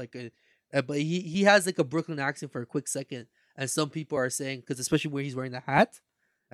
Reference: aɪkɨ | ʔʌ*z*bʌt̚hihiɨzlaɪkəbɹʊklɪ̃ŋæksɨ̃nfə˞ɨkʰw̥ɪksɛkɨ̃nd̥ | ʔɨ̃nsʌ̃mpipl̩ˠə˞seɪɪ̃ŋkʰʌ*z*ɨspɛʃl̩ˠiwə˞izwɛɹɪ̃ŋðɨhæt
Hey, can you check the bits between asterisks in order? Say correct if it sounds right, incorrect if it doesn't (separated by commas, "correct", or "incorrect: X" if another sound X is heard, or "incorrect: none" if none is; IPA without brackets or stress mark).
incorrect: none, correct